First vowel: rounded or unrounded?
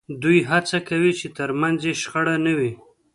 rounded